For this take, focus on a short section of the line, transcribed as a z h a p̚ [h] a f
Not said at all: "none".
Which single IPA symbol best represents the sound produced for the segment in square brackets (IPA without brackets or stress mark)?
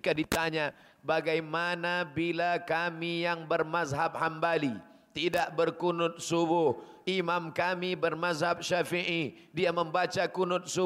ʃ